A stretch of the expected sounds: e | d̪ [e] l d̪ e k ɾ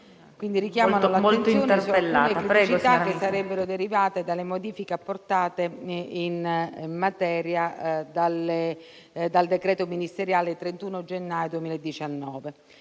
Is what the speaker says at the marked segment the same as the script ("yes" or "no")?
no